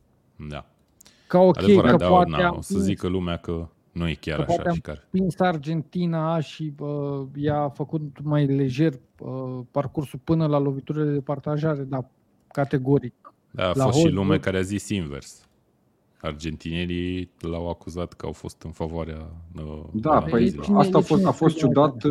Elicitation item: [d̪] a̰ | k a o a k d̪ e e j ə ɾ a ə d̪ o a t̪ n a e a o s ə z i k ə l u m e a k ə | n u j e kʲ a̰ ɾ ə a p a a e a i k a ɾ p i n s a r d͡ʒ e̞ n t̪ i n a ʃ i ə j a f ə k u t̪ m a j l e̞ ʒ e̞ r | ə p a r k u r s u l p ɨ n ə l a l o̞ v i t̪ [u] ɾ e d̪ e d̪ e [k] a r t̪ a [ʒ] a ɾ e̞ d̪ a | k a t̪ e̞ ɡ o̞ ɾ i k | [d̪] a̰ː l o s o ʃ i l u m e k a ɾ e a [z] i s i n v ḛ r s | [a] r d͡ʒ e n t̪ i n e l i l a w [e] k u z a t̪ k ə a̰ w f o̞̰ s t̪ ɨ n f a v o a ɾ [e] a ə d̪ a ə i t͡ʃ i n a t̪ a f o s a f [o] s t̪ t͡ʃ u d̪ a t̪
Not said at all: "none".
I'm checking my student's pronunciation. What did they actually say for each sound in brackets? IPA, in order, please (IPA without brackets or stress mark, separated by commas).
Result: d̪, u, p, ʒ, d̪, z, a, a, e, o